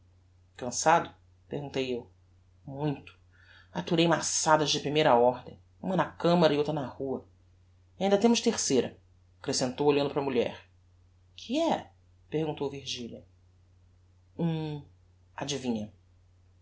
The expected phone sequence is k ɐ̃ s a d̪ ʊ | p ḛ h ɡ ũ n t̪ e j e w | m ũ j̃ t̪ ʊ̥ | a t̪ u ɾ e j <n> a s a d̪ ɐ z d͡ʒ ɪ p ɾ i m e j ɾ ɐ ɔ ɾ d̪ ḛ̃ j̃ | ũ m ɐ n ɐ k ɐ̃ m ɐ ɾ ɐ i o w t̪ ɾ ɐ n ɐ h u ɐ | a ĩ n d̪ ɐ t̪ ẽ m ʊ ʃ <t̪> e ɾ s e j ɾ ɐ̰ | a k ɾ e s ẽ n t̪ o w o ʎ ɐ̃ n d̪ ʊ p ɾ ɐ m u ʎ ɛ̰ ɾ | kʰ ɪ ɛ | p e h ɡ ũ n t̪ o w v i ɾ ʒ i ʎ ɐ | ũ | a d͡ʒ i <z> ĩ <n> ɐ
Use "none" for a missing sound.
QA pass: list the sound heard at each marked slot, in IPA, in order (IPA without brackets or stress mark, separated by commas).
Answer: m, t̪, v, ɲ